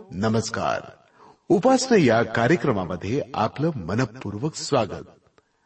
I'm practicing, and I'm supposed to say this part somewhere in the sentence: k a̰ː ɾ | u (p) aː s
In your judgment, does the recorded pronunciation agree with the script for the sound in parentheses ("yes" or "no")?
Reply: yes